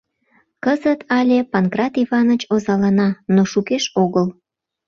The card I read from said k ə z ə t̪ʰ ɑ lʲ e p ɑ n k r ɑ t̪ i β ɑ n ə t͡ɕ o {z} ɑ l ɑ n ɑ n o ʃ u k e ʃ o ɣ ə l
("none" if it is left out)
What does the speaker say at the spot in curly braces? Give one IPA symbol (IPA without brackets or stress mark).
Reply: z